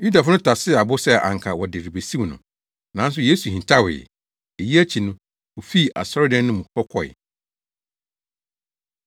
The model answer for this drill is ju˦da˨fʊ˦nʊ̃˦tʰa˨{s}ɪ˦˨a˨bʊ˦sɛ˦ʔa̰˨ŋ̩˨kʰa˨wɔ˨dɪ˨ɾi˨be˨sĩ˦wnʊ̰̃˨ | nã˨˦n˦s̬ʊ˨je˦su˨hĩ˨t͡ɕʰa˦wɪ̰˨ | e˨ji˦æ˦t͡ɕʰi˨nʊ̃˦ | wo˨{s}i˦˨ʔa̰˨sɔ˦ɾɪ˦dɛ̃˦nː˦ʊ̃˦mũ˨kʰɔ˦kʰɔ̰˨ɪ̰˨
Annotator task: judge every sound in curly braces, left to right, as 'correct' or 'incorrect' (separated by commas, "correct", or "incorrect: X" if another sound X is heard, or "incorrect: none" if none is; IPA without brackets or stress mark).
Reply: correct, incorrect: f